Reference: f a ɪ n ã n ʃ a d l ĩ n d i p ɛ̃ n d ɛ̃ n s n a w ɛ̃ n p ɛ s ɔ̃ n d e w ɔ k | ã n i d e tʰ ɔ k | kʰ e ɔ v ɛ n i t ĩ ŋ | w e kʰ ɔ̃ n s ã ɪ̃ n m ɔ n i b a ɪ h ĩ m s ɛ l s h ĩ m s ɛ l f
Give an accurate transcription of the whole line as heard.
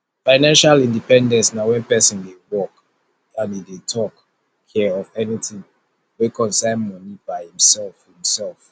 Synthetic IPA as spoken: f a ɪ n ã n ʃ a l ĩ n d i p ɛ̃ n d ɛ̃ n s n a w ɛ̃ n p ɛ s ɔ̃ n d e w ɔ k | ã n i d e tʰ ɔ k | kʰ ɛ ɔ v ɛ n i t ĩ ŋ | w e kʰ ɔ̃ n s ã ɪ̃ n m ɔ n i b a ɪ h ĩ m s ɛ l f h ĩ m s ɛ l f